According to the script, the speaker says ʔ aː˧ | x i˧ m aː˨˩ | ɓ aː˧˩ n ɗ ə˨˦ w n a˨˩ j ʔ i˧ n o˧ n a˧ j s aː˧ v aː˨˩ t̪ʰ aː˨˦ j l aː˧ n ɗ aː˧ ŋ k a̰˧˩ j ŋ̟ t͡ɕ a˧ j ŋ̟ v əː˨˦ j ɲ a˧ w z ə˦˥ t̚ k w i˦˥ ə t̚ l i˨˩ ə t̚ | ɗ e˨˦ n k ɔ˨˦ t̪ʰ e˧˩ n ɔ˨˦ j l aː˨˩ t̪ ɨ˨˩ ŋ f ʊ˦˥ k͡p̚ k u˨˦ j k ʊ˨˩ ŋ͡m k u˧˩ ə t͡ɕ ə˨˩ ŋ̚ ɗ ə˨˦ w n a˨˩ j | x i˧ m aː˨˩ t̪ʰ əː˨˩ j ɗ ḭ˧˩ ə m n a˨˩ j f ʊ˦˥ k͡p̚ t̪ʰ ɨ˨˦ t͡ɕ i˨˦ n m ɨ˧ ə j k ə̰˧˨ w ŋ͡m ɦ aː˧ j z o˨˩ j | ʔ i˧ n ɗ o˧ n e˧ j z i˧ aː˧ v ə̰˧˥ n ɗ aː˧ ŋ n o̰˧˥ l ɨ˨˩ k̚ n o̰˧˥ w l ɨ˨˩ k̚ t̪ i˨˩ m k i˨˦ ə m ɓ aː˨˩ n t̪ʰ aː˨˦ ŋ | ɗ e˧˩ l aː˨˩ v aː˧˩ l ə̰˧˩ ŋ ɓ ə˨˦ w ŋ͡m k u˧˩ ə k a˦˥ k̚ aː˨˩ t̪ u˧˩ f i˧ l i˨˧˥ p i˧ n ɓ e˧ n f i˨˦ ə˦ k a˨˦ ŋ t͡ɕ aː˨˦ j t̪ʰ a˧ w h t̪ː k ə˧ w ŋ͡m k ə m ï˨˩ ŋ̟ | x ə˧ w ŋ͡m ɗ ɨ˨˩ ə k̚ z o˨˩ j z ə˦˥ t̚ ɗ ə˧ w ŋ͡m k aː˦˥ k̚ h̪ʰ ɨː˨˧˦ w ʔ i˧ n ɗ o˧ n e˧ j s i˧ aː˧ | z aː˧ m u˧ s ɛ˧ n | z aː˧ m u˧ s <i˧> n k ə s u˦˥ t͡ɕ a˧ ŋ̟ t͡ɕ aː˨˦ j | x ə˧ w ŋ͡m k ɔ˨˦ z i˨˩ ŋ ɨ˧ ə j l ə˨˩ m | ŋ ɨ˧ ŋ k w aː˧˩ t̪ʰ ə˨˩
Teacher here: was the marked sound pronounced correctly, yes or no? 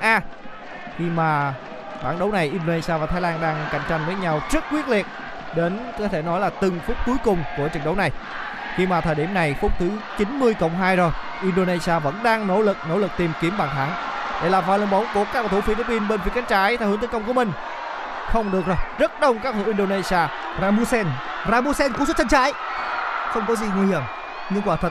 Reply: no